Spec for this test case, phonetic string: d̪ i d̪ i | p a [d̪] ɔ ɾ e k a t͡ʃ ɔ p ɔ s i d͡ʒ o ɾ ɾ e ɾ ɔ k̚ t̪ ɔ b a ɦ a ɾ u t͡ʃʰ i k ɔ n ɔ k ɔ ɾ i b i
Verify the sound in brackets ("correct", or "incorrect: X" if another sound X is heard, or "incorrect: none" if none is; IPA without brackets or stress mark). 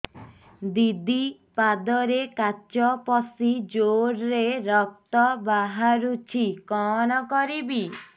correct